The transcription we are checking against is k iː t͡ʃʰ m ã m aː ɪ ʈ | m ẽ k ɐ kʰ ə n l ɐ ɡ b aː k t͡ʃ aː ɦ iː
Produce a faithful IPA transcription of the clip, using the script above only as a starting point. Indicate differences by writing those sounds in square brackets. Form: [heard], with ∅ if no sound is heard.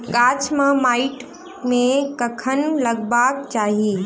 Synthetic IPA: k [aː] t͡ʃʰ m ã m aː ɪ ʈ | m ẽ k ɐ kʰ ə n l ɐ ɡ b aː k t͡ʃ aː ɦ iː